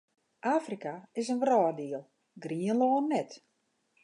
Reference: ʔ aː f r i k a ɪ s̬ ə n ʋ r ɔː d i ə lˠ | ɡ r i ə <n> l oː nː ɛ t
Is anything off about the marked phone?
no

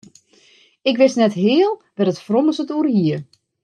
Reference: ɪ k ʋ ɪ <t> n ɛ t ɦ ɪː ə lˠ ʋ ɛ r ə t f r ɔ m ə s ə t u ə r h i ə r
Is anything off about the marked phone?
yes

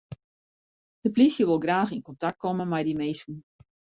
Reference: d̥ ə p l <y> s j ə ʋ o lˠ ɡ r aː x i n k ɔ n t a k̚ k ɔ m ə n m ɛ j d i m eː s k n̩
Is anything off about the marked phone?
yes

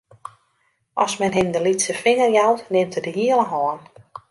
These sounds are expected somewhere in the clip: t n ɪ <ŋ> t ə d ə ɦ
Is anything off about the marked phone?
yes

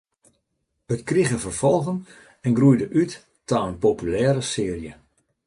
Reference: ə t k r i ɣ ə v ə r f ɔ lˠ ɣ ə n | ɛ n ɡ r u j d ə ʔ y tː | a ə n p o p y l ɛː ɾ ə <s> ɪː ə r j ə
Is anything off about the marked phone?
no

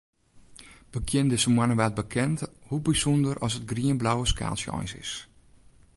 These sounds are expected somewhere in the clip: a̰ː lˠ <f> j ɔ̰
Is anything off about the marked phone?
yes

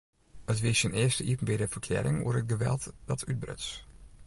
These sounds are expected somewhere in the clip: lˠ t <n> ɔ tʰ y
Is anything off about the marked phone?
yes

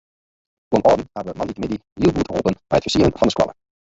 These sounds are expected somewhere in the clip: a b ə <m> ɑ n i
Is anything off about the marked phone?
no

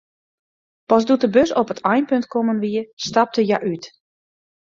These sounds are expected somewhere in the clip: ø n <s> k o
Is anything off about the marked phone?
yes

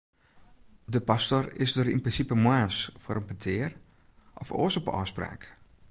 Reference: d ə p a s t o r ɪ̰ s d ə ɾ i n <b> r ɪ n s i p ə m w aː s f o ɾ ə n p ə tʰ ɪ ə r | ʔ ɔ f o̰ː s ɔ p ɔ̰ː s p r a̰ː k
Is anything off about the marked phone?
yes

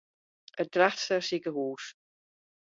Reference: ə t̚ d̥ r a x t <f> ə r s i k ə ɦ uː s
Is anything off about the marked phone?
yes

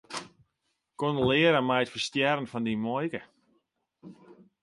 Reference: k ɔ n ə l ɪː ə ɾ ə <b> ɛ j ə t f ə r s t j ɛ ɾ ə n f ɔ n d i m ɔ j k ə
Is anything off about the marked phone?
yes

